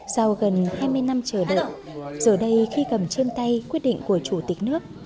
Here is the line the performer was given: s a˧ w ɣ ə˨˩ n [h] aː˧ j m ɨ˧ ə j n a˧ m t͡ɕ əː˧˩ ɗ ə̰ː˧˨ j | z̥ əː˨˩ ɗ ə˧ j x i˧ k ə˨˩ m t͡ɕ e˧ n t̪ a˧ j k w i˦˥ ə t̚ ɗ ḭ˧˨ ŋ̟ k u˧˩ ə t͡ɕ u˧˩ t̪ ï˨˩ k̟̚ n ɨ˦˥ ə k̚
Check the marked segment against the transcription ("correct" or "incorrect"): correct